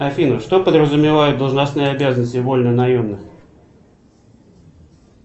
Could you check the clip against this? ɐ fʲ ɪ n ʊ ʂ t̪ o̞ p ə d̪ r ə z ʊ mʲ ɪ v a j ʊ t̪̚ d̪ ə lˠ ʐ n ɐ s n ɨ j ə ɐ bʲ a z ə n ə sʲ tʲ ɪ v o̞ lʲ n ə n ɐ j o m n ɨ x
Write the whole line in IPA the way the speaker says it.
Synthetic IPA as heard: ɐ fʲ i n ʊ ʂ t̪ o̞ p ə d̪ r ə z ʊ mʲ ɪ v a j ʊ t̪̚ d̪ ə lˠ ʐ n ɐ s n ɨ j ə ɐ bʲ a z ə n ə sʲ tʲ ɪ v o̞ lʲ n ə n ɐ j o m n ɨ x